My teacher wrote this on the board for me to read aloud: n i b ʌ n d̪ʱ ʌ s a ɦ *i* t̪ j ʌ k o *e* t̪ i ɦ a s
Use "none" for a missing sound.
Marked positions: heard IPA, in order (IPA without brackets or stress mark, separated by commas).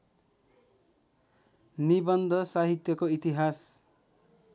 i, i